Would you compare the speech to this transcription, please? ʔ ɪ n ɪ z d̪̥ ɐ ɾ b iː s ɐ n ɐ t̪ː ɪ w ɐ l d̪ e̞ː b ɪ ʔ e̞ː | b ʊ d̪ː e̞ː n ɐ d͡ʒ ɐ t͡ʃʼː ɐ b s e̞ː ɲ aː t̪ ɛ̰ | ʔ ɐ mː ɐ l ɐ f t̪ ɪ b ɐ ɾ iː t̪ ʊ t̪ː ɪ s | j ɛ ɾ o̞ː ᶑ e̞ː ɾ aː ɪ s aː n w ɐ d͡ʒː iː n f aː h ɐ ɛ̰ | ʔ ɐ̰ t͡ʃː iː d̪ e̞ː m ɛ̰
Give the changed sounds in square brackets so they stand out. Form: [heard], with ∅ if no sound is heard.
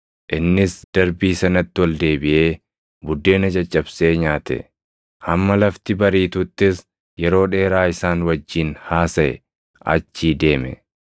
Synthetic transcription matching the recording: ʔ ɪ [nː] ɪ [s] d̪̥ ɐ ɾ b iː s ɐ n ɐ t̪ː ɪ w ɐ l d̪ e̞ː b ɪ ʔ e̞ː | b ʊ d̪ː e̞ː n ɐ d͡ʒ ɐ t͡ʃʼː ɐ b s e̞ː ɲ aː t̪ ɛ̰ | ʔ ɐ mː ɐ l ɐ f t̪ ɪ b ɐ ɾ iː t̪ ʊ t̪ː ɪ s | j ɛ ɾ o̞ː ᶑ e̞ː ɾ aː ɪ s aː n w ɐ d͡ʒː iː n [h] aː [s] ɐ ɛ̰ | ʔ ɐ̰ t͡ʃː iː d̪ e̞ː m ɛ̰